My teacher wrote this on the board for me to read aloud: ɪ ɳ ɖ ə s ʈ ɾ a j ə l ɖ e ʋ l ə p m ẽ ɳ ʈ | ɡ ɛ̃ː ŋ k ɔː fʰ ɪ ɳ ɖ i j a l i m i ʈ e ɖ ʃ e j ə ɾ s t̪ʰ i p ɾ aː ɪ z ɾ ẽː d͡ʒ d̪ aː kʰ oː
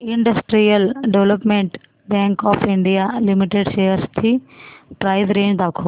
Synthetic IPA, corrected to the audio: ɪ ɳ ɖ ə s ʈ ɾ i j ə l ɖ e ʋ l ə p m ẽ ɳ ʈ | b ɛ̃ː ŋ k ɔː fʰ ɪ ɳ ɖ i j a l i m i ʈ e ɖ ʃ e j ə ɾ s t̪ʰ i p ɾ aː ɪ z ɾ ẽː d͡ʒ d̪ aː kʰ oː